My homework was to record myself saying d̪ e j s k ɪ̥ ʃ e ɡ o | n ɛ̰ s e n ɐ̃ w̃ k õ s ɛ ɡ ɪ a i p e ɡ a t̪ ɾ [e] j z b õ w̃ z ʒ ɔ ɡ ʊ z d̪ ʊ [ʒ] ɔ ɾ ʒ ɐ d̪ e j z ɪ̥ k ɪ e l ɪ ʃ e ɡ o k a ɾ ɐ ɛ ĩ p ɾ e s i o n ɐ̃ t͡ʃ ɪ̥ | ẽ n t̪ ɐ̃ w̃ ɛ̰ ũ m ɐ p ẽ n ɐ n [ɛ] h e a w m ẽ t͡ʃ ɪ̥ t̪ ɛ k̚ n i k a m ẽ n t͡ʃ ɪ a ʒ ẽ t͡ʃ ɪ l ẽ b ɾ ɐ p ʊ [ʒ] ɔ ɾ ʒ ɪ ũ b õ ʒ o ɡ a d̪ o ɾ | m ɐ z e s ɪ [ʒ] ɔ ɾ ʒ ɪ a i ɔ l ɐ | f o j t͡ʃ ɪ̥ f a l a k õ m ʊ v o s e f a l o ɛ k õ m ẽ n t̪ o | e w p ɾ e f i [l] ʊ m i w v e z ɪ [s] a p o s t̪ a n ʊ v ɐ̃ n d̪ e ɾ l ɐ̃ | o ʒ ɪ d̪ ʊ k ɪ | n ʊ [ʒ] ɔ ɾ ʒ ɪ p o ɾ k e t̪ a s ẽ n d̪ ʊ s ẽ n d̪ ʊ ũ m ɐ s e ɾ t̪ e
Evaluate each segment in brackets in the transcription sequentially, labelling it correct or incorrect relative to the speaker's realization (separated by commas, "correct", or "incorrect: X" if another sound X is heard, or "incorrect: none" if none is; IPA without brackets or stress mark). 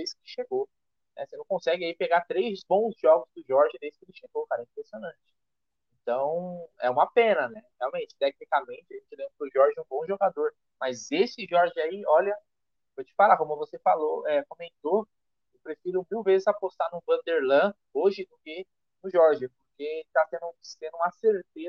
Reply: correct, correct, correct, correct, correct, incorrect: ɾ, incorrect: z, correct